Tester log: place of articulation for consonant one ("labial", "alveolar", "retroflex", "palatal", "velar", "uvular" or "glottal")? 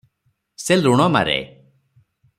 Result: alveolar